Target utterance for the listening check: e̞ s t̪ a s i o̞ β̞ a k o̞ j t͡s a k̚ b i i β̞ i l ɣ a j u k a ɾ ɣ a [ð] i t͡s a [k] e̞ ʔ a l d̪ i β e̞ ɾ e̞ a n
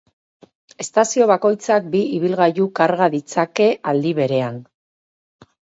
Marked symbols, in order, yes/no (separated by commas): yes, yes